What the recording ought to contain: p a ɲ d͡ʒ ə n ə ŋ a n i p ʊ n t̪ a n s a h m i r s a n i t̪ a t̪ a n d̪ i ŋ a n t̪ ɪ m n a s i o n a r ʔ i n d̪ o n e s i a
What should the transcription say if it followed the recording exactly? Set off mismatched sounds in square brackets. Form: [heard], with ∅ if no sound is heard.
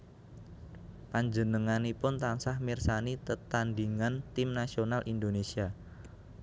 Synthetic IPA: p a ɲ d͡ʒ ə n ə ŋ a n i p ʊ n t̪ a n s a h m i r s a n i t̪ [ə] t̪ a n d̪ i ŋ a n t̪ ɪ m n a s i o n a [l] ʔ i n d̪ o n e s i a